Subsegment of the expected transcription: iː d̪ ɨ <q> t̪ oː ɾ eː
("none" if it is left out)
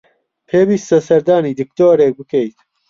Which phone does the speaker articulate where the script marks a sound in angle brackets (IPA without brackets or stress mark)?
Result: k